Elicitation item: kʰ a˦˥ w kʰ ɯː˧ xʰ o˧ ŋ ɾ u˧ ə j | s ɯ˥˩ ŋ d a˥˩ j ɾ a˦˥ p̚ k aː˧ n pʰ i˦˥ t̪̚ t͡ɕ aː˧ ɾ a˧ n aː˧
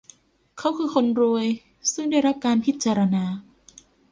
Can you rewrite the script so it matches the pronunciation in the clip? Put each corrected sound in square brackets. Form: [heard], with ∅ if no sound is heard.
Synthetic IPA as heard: kʰ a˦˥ w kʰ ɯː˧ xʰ o˧ [n] ɾ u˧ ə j | s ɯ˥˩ ŋ d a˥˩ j ɾ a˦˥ p̚ k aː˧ n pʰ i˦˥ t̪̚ t͡ɕ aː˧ ɾ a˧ n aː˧